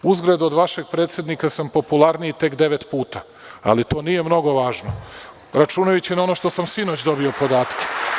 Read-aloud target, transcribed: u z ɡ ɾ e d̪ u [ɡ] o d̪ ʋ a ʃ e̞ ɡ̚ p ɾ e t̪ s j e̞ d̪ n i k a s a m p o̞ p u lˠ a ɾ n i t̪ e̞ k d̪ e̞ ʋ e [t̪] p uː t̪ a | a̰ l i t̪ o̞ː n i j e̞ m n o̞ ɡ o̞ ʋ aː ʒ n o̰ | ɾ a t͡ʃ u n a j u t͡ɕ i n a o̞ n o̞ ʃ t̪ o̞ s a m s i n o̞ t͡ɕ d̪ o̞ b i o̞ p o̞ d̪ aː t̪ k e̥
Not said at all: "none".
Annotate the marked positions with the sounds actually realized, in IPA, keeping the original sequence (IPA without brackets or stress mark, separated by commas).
none, t̪